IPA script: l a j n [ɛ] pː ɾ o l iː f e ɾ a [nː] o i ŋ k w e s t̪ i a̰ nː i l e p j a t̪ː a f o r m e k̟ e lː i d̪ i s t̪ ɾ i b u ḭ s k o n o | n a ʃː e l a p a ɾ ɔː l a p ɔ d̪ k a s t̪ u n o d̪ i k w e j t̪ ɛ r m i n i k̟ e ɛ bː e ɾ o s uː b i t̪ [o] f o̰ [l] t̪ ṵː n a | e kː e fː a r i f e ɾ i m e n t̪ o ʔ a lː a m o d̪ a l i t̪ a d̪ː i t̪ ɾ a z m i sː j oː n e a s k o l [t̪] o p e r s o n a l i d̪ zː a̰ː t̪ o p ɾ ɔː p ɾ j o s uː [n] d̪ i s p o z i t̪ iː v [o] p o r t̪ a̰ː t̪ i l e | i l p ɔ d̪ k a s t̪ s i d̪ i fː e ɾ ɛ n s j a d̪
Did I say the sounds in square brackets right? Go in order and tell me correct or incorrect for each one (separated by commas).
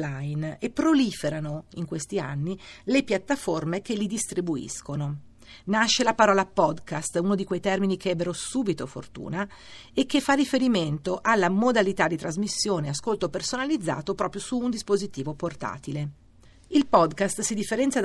incorrect, incorrect, correct, incorrect, correct, correct, correct